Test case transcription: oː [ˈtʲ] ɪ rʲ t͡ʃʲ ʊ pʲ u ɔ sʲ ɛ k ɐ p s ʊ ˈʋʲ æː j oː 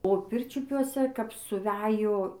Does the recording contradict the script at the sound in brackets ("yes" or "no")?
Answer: yes